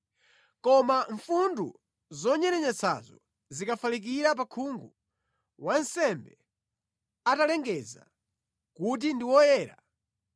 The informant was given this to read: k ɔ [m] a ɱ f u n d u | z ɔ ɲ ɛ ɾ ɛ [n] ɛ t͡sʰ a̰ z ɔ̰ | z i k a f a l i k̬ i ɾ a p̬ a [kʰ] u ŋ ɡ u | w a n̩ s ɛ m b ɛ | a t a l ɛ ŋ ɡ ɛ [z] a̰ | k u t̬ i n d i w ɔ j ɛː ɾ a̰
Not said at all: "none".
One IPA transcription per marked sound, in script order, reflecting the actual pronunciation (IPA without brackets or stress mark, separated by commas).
m, ɲ, kʰ, z